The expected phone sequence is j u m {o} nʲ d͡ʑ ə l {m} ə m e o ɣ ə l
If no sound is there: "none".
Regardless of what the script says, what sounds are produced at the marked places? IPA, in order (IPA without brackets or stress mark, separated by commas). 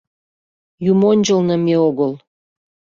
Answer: o, n